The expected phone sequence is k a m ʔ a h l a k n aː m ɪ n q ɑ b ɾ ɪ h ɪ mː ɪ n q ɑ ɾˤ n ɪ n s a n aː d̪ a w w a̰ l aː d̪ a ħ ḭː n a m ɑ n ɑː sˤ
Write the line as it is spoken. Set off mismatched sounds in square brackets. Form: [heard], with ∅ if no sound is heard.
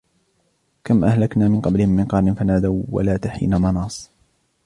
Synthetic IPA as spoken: k a m ʔ a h l a k n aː m ɪ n q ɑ b [l] ɪ h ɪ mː ɪ n q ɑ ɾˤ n ɪ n [f] a n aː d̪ a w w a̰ l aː [t̪] a ħ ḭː n a m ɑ n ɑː sˤ